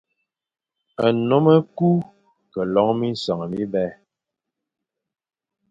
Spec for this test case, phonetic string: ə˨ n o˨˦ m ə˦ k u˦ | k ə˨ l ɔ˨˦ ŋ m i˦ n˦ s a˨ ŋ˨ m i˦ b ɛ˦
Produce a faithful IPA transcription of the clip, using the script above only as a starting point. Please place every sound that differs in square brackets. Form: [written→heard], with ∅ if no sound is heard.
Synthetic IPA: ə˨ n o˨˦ m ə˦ k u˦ | k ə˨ l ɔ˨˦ ŋ m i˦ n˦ s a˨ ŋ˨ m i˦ b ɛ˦